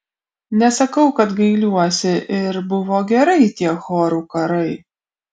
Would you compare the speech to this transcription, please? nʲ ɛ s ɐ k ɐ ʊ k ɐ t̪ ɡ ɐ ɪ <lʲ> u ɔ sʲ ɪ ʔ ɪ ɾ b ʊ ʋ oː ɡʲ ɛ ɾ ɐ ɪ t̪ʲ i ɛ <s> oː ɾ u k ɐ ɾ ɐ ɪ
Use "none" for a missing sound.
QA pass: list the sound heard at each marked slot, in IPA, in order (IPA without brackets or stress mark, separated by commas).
lʲ, x